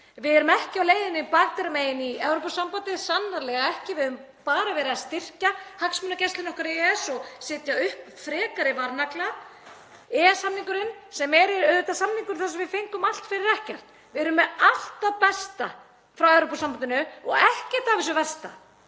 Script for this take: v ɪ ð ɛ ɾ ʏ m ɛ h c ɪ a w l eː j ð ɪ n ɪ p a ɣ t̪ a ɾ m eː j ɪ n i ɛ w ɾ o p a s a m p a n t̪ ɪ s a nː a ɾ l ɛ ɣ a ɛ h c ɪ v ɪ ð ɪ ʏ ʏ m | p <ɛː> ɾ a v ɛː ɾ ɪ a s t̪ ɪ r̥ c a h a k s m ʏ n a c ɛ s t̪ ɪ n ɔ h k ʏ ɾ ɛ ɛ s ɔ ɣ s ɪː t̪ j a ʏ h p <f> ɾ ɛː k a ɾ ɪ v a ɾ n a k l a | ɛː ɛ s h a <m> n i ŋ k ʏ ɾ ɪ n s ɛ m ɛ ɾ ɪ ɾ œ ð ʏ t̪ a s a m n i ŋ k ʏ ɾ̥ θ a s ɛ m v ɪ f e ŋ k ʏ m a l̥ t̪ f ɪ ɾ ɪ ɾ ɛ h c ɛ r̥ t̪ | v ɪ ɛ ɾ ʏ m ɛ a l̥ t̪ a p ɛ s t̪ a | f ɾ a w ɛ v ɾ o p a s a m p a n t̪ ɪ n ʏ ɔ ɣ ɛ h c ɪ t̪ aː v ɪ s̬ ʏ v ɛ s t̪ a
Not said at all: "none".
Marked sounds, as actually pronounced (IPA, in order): aː, f, m

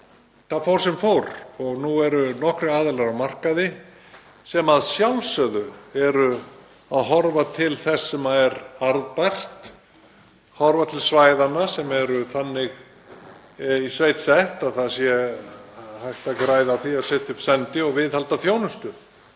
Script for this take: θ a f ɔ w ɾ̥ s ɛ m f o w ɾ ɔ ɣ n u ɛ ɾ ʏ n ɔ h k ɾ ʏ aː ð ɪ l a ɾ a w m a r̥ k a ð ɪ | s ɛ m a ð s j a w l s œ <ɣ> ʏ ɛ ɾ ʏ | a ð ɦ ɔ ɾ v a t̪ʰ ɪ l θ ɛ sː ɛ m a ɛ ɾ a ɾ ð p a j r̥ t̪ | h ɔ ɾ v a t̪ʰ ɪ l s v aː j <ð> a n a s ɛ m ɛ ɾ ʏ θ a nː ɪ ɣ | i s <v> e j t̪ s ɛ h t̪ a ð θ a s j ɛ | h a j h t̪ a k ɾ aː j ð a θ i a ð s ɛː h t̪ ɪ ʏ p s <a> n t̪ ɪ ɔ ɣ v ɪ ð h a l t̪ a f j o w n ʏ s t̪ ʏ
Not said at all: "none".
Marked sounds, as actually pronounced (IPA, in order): ð, ð, v, ɛ

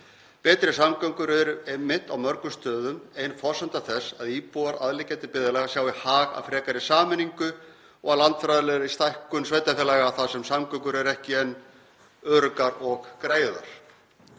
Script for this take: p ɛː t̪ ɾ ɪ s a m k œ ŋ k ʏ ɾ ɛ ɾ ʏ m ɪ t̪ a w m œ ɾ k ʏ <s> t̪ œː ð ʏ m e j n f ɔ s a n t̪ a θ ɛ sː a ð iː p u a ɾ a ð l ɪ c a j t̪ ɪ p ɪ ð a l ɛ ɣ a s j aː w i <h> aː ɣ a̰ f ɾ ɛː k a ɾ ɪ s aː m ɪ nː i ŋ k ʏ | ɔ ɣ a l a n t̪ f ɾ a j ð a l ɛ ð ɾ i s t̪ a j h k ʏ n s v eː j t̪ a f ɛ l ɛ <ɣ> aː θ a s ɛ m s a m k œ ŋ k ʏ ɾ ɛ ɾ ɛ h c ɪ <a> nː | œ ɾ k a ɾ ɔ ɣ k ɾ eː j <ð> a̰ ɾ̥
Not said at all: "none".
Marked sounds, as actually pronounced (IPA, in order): s, h, ɣ, ɛ, ð

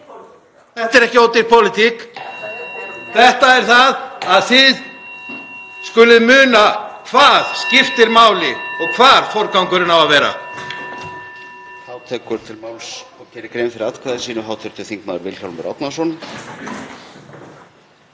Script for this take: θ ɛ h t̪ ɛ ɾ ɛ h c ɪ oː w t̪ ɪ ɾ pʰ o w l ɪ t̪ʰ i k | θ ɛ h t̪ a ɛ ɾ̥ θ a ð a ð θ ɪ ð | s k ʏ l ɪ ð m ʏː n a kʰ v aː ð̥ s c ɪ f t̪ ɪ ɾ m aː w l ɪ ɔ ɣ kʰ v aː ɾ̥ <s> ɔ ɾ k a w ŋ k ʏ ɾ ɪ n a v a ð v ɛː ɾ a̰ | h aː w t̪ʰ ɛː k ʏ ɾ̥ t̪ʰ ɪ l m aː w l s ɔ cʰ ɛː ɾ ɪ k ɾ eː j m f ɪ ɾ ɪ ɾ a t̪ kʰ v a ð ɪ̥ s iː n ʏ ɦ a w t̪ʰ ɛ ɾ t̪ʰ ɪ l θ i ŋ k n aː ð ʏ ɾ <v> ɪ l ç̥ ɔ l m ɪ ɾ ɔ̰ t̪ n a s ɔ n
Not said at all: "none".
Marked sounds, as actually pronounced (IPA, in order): f, v

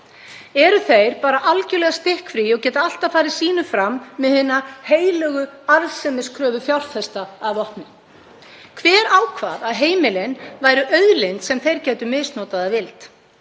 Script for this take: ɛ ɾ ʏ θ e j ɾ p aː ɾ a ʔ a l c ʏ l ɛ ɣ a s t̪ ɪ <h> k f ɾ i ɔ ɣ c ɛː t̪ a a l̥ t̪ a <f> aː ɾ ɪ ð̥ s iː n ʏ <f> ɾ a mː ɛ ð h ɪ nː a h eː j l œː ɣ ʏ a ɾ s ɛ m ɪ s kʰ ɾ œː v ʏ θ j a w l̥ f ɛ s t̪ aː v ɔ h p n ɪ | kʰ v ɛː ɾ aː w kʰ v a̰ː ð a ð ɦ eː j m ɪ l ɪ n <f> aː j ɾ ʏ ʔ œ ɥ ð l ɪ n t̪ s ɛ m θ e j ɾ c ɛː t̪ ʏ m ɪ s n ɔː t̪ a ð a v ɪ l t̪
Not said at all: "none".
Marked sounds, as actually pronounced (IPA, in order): h, f, f, v

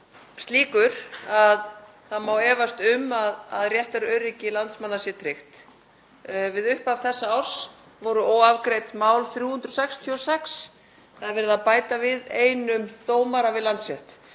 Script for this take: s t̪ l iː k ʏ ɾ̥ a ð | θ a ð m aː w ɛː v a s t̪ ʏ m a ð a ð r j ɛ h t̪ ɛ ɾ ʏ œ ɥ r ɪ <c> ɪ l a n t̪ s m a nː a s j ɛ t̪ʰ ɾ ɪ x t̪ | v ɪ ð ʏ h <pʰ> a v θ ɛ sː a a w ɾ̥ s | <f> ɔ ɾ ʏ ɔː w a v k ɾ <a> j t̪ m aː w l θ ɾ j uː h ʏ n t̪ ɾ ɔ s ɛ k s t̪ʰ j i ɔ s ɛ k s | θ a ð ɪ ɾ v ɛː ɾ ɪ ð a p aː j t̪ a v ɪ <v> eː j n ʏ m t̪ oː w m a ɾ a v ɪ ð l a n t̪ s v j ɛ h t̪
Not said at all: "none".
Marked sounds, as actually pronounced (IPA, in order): c, p, v, e, ð

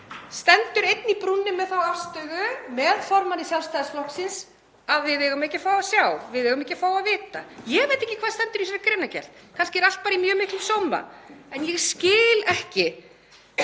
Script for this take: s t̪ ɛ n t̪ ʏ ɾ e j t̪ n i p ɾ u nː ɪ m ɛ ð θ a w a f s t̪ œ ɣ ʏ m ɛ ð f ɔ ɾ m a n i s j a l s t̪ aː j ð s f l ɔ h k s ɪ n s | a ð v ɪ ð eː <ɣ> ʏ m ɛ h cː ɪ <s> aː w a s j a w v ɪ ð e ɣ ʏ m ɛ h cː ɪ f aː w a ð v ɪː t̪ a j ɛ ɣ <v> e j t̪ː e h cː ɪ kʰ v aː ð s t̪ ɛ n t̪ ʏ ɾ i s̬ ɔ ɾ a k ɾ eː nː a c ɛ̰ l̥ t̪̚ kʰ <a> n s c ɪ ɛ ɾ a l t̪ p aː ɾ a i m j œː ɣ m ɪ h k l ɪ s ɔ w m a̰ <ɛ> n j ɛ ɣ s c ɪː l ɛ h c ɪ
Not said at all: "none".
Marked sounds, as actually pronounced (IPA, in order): ɣ, f, v, a, ɛ

